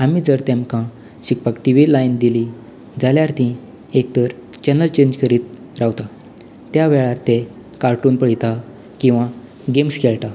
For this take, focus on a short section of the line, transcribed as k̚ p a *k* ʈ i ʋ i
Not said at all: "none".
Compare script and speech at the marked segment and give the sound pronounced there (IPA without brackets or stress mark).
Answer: k